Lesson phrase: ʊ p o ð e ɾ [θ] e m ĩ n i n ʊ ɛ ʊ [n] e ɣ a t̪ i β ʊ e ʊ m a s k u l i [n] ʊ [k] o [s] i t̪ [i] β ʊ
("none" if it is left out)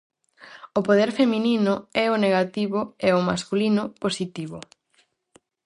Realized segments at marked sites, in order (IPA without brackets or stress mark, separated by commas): f, n, n, p, s, i